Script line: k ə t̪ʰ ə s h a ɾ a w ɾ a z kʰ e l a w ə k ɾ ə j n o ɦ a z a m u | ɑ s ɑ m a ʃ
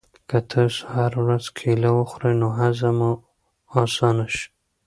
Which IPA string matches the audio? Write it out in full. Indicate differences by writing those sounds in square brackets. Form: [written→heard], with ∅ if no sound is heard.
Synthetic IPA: k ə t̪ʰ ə s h a ɾ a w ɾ a z kʰ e l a w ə [k→x] ɾ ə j n o ɦ a z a m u | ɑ s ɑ [m→n] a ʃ